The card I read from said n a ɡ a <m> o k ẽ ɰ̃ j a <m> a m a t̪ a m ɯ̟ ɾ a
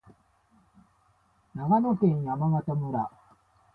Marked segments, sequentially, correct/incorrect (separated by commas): incorrect, correct